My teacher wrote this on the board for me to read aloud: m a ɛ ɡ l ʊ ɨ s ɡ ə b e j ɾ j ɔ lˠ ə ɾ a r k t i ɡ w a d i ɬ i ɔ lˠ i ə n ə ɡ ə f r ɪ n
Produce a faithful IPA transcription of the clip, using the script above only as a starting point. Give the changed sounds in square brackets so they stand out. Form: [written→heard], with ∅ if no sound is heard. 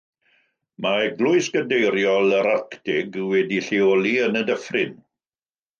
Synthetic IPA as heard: m a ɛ ɡ l ʊ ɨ s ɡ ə [b→d] e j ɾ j ɔ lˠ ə ɾ a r k t [i→ɪ] ɡ w [a→ɛ] d i ɬ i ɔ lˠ i ə n ə [ɡ→d] ə f r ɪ n

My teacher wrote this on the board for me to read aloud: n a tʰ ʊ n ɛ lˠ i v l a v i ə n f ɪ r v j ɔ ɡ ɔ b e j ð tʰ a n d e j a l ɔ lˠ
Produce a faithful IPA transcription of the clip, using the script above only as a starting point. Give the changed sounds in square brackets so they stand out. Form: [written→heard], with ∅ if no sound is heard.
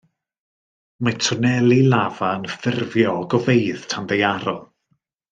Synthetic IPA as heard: [n→m] a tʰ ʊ n ɛ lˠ i [v→∅] l a v [i→a] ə n f ɪ r v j ɔ ɡ ɔ [b→v] e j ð tʰ a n d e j a [l→ɾ] ɔ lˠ

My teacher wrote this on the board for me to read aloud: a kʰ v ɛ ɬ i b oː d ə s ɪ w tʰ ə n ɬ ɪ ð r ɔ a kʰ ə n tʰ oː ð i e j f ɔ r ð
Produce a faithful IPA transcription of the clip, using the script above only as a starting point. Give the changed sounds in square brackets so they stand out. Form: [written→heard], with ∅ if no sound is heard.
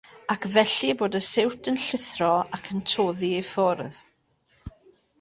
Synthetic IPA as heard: a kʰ v ɛ ɬ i b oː d ə s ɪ w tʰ ə n ɬ ɪ [ð→θ] r ɔ a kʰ ə n tʰ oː ð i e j f ɔ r ð

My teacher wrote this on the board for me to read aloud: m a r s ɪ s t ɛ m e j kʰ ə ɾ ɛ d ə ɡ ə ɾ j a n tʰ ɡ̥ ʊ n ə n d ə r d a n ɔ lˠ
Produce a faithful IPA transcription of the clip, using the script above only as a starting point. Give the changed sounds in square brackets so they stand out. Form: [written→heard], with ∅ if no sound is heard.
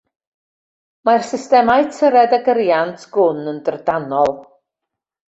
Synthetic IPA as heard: m a r s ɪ s t ɛ m [e→a] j [kʰ→tʰ] ə ɾ ɛ d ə ɡ ə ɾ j a n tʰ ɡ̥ ʊ n ə n d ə r d a n ɔ lˠ

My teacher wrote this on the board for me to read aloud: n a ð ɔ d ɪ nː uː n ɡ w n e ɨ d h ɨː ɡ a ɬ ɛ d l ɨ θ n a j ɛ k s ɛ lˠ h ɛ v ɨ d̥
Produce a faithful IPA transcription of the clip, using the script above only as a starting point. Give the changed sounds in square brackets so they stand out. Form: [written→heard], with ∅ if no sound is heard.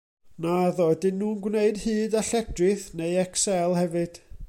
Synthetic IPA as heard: n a ð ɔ d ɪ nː uː n ɡ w n e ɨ d h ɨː [ɡ→d] a ɬ ɛ d [l→r] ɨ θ n [a→e] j ɛ k s ɛ lˠ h ɛ v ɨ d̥

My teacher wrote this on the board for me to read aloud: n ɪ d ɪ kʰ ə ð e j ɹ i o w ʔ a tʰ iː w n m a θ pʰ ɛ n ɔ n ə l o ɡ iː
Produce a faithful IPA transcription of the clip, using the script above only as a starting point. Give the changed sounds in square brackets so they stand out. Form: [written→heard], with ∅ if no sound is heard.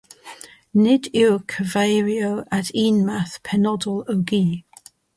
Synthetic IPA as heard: n ɪ d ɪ kʰ ə [ð→v] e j ɹ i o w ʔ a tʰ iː [w→∅] n m a θ pʰ ɛ n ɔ [n→d] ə l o ɡ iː

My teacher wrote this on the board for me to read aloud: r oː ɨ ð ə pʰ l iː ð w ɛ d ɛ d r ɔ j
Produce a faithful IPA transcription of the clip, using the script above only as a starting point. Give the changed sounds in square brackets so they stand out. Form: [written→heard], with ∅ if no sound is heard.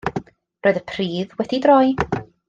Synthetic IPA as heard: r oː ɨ ð ə pʰ [l→r] iː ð w ɛ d [ɛ→i] d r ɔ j

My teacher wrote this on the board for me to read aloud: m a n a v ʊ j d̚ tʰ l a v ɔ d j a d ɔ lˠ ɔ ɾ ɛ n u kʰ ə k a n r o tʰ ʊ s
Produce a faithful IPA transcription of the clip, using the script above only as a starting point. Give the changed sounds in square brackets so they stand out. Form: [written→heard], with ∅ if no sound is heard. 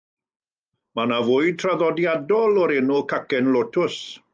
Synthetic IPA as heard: m a n a v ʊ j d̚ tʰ [l→r] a [v→ð] ɔ d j a d ɔ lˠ ɔ ɾ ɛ n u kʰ [ə→a] k [a→ɛ] n [r→l] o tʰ ʊ s

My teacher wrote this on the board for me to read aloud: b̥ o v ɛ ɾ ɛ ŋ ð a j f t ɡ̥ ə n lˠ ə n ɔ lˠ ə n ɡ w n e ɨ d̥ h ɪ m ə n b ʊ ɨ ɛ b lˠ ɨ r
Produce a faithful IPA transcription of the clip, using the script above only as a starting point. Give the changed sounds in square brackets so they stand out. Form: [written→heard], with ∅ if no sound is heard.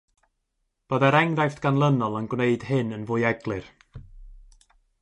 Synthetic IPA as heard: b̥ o [v→ð] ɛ ɾ ɛ ŋ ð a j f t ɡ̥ [ə→a] n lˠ ə n ɔ lˠ ə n ɡ w n e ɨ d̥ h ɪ [m→n] ə n [b→v] ʊ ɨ ɛ [b→ɡ] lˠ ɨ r

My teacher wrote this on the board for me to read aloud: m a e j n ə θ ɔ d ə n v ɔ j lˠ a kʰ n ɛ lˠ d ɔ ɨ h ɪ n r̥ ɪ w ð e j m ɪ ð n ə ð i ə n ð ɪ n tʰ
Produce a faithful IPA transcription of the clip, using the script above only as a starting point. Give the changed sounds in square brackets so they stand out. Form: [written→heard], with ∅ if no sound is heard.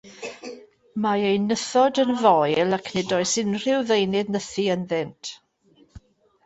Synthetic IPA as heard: m a e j n ə θ ɔ d ə n v ɔ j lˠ a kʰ n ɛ [lˠ→∅] d ɔ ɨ [h→s] ɪ n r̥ ɪ w ð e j [m→n] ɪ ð n ə [ð→θ] i ə n ð ɪ n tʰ

